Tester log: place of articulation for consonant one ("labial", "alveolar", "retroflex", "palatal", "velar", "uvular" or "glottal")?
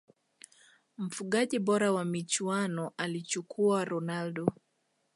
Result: labial